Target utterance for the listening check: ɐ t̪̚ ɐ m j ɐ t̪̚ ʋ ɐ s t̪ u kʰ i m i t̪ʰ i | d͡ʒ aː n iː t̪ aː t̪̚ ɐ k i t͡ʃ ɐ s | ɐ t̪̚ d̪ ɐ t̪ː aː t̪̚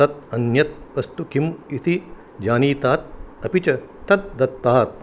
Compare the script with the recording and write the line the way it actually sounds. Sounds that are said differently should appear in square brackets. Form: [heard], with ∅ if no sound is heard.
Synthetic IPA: ɐ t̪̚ ɐ [n] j ɐ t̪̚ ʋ ɐ s t̪ u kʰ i m i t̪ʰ i | d͡ʒ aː n iː t̪ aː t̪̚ ɐ [p] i t͡ʃ ɐ [∅] | ɐ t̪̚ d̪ ɐ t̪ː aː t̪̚